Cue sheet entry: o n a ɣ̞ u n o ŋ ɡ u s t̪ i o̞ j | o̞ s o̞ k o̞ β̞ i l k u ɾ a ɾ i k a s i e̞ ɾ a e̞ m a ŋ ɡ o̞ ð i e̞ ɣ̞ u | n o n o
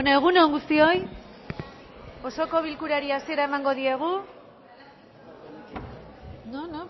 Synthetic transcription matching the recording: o n e ɣ̞ u n o ŋ ɡ u s t̪ i o̞ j | o̞ s o̞ k o̞ β̞ i l k u ɾ a ɾ i a s i e̞ ɾ a e̞ m a ŋ ɡ o̞ ð i e̞ ɣ̞ u | n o n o